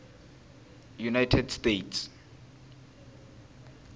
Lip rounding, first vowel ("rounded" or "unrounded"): rounded